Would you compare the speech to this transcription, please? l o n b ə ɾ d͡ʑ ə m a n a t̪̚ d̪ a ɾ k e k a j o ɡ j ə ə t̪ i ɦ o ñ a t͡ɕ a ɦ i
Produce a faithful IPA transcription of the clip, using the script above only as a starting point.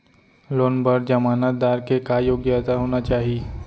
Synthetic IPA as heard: l o n b ə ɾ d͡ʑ ə m a n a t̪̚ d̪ a ɾ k e k a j o ɡ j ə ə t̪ a ɦ o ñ a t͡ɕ a ɦ i